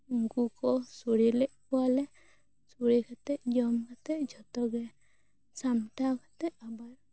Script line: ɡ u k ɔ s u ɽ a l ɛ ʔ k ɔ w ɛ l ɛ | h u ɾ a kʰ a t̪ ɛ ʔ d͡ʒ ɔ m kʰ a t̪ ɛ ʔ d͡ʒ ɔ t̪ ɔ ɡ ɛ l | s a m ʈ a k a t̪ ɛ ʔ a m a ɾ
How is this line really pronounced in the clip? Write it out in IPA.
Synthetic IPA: ɡ u k ɔ s u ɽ i l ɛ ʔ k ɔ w a l ɛ | s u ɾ i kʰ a t̪ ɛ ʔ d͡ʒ ɔ m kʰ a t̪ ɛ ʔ d͡ʒ ɔ t̪ ɔ ɡ ɛ | s a m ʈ a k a t̪ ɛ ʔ a b a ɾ